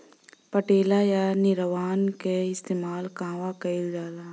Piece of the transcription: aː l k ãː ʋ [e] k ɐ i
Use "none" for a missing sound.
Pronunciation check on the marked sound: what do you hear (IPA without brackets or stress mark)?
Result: a